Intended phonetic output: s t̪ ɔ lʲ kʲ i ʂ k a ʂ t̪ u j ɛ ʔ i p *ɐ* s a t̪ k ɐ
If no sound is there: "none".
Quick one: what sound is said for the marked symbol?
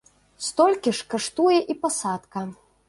a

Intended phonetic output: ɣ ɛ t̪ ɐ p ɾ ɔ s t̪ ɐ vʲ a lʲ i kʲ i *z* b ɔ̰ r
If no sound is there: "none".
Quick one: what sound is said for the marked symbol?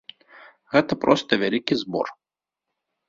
z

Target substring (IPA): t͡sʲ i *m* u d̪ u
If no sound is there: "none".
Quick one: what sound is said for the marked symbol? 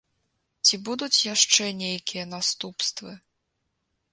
b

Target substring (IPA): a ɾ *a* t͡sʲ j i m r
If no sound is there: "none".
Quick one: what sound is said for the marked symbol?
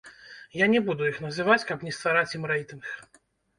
a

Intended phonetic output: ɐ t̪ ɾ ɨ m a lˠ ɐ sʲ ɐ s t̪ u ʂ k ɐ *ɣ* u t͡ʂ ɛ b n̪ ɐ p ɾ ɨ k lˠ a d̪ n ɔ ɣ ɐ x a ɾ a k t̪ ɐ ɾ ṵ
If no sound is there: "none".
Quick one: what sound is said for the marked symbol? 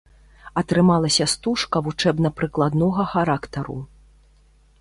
v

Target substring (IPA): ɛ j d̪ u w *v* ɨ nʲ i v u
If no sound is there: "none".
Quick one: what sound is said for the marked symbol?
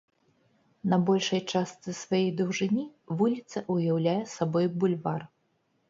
ʐ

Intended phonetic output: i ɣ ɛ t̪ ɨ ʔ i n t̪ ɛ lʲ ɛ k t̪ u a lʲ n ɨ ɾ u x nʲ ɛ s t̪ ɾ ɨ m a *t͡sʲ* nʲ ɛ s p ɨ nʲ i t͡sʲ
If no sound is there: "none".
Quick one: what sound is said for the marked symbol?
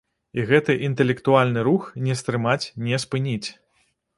t͡sʲ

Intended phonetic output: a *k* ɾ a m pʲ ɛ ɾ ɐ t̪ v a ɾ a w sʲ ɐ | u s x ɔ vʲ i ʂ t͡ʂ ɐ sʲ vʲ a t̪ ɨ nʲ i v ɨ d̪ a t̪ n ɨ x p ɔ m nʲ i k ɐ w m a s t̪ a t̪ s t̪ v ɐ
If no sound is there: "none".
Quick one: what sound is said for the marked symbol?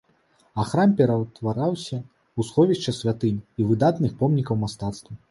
x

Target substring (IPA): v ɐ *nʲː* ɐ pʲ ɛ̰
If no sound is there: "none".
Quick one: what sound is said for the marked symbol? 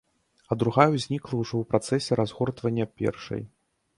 nʲː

